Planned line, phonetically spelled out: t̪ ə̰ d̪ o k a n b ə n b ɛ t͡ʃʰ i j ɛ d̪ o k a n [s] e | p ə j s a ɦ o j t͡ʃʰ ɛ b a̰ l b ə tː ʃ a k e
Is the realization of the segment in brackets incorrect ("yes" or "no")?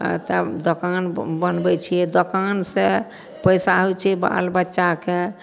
no